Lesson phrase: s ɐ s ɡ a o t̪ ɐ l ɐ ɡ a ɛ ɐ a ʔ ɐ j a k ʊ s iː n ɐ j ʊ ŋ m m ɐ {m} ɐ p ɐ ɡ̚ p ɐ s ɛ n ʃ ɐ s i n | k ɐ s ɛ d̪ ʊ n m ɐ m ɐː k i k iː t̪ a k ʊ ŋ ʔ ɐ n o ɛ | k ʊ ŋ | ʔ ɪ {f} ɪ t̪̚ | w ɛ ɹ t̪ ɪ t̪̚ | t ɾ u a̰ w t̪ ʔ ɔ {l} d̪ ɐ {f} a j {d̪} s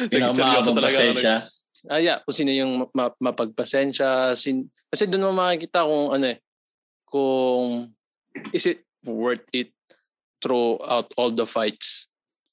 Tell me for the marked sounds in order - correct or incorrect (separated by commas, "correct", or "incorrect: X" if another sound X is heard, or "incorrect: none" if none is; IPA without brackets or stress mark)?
correct, incorrect: s, correct, correct, incorrect: t̪